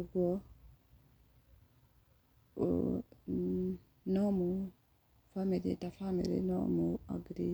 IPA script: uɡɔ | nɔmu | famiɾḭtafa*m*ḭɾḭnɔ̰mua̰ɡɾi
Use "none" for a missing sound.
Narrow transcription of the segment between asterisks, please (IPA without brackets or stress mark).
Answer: m